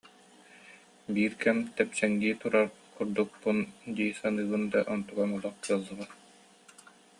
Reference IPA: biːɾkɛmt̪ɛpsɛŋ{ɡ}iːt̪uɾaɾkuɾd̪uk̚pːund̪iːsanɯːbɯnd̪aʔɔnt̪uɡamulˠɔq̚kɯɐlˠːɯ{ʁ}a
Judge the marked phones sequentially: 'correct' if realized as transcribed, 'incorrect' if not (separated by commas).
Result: correct, correct